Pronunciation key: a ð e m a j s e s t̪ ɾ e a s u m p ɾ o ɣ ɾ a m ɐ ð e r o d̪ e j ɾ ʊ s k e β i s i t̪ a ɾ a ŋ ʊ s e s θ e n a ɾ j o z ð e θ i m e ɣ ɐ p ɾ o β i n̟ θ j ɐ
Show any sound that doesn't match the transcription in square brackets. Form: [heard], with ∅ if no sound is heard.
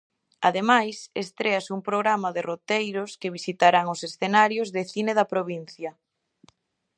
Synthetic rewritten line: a ð e m a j s e s t̪ ɾ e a s u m p ɾ o ɣ ɾ a m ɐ ð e r o [t̪] e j ɾ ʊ s k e β i s i t̪ a ɾ a ŋ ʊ s e s θ e n a ɾ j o z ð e θ i [n] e [ð] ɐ p ɾ o β i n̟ θ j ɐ

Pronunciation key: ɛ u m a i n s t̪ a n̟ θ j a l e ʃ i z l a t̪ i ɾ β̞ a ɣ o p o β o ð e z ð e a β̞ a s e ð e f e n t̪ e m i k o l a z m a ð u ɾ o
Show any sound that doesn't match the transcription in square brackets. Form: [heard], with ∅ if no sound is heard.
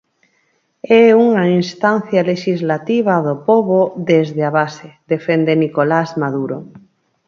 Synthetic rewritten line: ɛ u [ŋ] a i n s t̪ a n̟ θ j a l e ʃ i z l a t̪ i [∅] β̞ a [ð] o p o β o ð e z ð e a β̞ a s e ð e f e n [d̪] e [n] i k o l a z m a ð u ɾ o

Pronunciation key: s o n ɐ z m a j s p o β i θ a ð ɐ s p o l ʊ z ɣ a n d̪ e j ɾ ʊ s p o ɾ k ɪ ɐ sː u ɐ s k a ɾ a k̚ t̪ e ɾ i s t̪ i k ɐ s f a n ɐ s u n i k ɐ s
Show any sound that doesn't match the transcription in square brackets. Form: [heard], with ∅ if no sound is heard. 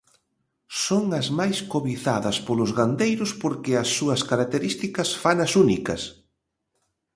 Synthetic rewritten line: s o [ŋ] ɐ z m a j s [k] o β i θ a ð ɐ s p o l ʊ z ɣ a n d̪ e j ɾ ʊ s p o ɾ k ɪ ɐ sː u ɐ s k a ɾ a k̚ t̪ e ɾ i s t̪ i k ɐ s f a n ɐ s u n i k ɐ s

